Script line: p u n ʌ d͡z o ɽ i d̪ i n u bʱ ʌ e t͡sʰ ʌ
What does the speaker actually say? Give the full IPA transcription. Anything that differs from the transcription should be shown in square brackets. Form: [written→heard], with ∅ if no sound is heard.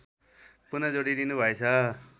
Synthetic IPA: p u n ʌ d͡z o ɽ i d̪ i n u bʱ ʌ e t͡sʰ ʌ